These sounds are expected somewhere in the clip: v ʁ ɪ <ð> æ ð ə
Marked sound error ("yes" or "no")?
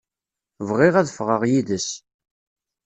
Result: yes